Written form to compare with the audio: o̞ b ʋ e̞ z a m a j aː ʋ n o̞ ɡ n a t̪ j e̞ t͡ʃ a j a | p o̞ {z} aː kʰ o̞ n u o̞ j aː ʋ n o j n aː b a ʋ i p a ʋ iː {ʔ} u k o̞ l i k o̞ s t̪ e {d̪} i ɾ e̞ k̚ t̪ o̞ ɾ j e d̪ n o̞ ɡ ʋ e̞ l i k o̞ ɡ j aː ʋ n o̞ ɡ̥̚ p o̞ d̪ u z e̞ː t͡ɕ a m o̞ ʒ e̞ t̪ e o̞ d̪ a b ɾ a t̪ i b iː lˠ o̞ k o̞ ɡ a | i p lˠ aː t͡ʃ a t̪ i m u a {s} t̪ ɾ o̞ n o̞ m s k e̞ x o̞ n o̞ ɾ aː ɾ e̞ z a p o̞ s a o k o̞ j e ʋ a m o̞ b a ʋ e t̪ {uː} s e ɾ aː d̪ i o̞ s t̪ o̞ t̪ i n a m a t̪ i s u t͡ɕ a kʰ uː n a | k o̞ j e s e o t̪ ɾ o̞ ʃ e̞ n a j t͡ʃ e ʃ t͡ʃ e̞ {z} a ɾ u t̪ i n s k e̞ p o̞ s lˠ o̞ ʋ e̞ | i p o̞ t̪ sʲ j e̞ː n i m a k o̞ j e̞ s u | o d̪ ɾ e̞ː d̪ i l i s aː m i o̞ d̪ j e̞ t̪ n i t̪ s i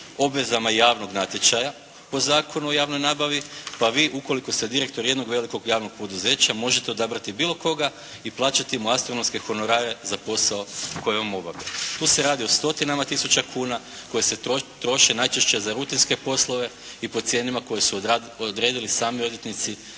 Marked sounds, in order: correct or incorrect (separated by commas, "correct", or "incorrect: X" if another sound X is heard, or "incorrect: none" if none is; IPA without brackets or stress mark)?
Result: correct, correct, correct, correct, correct, correct